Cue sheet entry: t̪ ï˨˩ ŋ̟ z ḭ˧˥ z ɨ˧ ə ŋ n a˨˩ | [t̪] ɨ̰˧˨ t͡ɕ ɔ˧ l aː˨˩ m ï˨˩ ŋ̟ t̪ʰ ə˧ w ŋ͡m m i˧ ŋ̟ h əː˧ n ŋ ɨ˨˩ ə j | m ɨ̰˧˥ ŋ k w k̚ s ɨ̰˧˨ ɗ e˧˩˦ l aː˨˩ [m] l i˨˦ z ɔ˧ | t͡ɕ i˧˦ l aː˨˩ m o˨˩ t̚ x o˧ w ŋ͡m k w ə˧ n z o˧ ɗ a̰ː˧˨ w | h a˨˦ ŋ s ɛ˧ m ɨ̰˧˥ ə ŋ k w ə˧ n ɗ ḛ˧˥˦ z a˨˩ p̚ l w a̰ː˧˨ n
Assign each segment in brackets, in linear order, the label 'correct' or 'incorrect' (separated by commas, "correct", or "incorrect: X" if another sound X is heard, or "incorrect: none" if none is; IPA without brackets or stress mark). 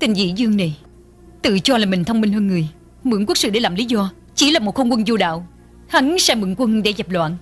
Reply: correct, correct